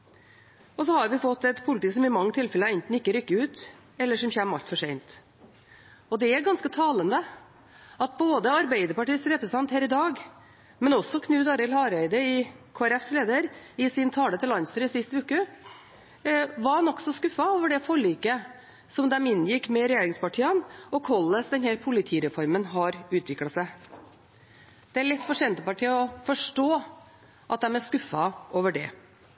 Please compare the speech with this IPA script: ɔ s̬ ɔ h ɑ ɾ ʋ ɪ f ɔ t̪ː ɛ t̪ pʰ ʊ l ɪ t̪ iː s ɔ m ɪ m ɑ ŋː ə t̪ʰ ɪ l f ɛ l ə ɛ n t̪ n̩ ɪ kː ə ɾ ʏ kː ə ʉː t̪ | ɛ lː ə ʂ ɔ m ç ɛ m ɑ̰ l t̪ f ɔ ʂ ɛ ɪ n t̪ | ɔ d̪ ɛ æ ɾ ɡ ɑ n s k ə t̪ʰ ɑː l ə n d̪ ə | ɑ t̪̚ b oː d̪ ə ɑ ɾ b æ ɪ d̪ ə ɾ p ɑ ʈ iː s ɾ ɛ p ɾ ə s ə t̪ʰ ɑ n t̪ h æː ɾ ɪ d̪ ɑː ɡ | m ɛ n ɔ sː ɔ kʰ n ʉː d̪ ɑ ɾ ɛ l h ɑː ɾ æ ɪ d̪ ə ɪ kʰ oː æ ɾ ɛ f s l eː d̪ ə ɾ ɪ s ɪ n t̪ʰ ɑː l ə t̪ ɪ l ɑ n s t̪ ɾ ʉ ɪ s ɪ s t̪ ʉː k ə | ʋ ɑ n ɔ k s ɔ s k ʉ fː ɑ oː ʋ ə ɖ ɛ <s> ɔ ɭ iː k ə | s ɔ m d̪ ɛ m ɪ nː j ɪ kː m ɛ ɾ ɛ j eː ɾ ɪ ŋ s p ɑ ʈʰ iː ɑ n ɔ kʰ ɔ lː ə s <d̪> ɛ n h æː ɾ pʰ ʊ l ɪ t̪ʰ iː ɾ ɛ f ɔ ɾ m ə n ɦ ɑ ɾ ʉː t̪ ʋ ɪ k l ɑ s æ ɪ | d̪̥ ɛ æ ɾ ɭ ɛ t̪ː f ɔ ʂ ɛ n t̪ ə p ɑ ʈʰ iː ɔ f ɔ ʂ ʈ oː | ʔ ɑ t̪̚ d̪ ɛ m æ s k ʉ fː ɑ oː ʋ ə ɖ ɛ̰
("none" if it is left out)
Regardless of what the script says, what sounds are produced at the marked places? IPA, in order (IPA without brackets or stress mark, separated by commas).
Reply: f, d̪